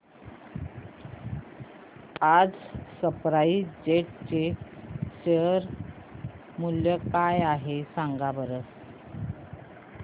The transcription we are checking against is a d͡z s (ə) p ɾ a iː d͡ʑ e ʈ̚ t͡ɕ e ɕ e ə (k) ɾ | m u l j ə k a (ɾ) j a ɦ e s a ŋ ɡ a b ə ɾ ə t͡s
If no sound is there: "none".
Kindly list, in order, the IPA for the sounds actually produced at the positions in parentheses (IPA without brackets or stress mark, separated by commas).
ə, none, none